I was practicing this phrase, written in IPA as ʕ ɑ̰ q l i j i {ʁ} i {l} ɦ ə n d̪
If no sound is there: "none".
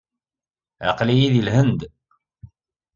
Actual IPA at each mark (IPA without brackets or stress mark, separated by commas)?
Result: ð, l